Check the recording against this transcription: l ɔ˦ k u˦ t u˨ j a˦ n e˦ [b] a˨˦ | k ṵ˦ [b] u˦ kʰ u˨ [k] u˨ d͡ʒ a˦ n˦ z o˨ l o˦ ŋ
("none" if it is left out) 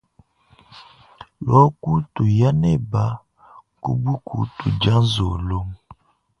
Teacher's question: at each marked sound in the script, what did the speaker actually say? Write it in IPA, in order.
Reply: b, b, t

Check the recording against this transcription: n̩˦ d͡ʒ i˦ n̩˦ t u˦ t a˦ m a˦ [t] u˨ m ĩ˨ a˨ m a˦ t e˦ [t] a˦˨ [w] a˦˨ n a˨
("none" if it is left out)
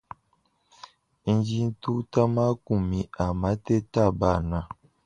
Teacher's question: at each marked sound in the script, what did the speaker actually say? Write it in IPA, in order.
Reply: k, t, b

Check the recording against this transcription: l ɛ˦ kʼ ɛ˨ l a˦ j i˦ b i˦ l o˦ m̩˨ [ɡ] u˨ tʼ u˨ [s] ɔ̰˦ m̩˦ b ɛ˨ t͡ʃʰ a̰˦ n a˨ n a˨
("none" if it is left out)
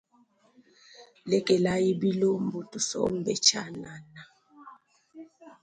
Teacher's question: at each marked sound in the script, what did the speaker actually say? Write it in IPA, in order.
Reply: b, s

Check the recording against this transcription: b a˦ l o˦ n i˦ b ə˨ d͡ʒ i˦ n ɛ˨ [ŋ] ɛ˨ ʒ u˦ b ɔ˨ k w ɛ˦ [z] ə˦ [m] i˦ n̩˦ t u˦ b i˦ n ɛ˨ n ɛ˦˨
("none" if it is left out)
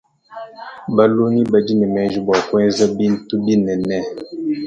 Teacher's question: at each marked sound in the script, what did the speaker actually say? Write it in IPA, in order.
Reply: m, z, b

